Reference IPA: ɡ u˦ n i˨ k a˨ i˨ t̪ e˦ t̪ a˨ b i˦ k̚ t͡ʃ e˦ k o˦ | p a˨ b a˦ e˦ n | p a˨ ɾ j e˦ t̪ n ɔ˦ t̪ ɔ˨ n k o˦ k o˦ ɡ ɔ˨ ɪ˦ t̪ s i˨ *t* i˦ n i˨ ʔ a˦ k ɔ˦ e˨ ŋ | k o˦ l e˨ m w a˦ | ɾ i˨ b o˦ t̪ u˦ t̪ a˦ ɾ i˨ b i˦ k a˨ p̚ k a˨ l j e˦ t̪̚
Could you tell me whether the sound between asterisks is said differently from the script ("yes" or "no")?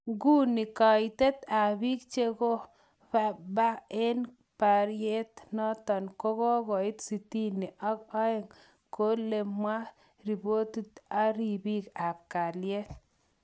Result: no